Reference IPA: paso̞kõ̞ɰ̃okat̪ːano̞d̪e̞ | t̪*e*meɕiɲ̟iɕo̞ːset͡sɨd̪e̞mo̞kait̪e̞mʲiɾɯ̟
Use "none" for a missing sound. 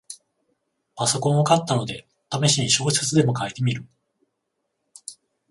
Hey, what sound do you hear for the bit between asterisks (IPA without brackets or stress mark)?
a